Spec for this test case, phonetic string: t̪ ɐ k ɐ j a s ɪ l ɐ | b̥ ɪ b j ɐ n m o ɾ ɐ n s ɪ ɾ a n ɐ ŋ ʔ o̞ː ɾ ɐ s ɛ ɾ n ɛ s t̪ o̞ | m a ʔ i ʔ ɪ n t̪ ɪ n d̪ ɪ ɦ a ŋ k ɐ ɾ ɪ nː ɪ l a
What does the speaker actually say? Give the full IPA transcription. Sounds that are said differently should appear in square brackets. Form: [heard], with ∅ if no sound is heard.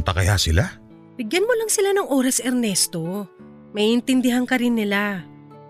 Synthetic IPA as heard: t̪ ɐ k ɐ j a s ɪ l [a] | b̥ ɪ [ɡ] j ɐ n m o [l] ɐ [ŋ] s ɪ [l] a n ɐ ŋ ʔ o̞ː ɾ ɐ s ɛ ɾ n ɛ s t̪ o̞ | m [ɐ] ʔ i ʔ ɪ n t̪ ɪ n d̪ ɪ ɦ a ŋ k ɐ ɾ ɪ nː ɪ l a